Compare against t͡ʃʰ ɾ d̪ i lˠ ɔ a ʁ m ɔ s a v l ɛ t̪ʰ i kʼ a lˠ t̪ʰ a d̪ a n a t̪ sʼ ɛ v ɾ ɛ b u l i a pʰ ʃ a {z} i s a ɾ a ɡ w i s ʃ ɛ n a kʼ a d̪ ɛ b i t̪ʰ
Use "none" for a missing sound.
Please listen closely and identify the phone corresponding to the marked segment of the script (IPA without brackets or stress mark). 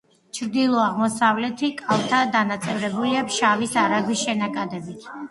v